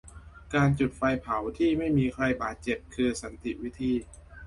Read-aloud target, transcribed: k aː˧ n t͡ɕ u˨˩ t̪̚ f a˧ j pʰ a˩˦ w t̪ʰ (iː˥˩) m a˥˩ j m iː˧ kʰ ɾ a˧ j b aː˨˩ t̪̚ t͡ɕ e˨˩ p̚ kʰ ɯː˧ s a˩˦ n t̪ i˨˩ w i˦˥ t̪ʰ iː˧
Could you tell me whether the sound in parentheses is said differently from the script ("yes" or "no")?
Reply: no